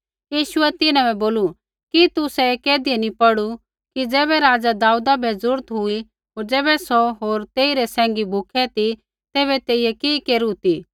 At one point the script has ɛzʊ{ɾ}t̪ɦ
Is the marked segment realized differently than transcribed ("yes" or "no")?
no